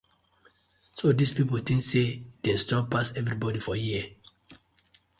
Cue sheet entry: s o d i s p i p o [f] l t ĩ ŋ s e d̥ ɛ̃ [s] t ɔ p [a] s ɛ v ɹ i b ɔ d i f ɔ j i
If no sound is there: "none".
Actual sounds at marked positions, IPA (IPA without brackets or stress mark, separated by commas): none, s, a